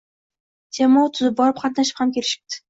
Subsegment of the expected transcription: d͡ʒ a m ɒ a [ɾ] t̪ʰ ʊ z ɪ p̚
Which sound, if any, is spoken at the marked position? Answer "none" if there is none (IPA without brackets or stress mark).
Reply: none